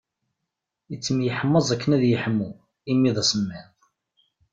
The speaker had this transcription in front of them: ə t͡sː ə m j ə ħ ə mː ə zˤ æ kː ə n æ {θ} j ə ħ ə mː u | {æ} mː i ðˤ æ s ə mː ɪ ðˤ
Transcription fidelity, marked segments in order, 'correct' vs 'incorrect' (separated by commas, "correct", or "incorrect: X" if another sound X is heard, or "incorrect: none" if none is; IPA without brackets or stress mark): incorrect: ð, incorrect: i